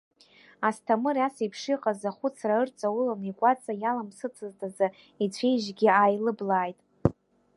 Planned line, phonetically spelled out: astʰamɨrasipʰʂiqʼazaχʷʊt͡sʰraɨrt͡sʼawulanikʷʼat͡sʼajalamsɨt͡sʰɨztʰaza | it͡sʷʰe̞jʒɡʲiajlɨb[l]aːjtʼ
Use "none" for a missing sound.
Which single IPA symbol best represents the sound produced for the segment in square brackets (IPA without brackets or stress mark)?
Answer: l